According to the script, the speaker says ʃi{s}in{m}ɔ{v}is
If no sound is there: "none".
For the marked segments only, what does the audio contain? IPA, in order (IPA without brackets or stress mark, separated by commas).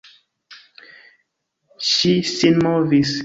s, m, v